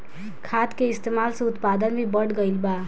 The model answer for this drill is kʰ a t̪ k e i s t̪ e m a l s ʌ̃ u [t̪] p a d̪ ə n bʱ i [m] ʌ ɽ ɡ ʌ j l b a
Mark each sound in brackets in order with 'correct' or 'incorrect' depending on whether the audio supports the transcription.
correct, incorrect

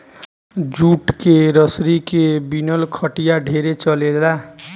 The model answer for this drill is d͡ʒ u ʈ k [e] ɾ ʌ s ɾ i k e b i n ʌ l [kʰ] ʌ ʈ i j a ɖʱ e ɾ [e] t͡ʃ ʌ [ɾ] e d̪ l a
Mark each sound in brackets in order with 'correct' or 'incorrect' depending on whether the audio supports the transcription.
correct, correct, correct, incorrect

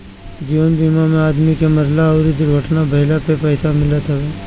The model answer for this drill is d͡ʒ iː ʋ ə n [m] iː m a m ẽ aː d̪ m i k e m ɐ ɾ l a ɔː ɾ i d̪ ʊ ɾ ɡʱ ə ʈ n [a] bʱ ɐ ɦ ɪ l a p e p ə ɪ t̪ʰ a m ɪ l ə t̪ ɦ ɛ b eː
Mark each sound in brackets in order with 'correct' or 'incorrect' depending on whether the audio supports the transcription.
incorrect, correct

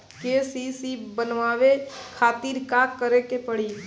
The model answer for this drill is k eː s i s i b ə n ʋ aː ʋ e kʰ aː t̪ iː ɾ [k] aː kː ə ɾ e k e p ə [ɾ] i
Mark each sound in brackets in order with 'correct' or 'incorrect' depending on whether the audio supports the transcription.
correct, incorrect

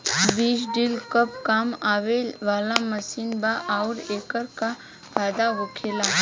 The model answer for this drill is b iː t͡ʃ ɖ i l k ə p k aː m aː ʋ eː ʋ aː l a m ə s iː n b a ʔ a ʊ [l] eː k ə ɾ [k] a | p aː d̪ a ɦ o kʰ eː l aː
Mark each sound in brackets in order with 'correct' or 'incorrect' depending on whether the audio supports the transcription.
incorrect, correct

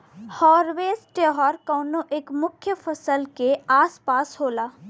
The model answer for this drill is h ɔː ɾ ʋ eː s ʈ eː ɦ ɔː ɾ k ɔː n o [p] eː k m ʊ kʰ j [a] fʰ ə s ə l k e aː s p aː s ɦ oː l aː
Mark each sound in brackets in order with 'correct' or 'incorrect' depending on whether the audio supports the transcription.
incorrect, incorrect

